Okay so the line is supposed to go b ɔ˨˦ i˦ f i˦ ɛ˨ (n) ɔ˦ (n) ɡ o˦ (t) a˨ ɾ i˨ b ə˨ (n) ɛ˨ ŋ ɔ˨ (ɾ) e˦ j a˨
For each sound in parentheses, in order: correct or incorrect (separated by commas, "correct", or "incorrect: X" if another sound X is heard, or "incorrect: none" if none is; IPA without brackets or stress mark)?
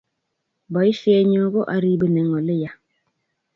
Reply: incorrect: ɲ, incorrect: none, incorrect: ʔ, correct, incorrect: l